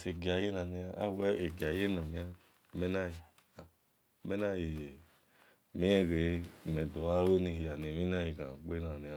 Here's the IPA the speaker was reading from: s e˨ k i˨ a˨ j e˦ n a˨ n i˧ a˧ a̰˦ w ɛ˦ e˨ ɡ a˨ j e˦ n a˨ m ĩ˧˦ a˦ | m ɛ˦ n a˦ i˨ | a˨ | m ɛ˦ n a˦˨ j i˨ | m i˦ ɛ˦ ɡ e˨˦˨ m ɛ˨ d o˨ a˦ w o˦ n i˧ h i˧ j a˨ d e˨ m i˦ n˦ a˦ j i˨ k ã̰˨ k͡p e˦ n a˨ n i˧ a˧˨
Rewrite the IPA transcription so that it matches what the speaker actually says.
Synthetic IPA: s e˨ ɡ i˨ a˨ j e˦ n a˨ n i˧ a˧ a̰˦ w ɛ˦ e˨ ɡ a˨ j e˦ n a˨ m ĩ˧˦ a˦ | m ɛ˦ n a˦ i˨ | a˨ | m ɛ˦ n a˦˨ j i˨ | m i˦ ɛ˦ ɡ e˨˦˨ m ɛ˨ d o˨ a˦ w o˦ n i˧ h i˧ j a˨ n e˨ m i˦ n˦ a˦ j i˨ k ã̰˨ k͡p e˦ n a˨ n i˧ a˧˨